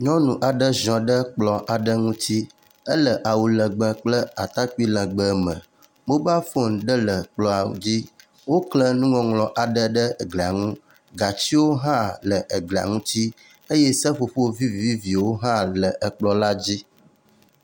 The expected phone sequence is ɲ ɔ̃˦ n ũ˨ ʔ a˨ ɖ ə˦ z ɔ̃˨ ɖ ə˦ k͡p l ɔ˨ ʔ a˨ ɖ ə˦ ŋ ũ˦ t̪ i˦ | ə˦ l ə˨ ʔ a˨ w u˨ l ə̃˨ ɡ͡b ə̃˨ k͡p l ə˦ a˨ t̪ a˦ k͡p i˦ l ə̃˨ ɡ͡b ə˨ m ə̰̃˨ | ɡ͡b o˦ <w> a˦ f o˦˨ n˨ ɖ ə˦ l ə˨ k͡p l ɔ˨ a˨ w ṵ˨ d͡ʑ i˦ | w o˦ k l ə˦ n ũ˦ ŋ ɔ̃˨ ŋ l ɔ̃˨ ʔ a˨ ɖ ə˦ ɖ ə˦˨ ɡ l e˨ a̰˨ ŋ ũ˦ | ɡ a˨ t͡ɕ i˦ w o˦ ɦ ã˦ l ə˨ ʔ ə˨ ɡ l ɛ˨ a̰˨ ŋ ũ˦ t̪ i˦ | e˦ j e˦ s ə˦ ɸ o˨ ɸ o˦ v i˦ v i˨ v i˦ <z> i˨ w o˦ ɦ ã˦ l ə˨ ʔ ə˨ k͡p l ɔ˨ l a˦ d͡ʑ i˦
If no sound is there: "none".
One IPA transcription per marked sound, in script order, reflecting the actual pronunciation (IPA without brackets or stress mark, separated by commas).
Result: b, v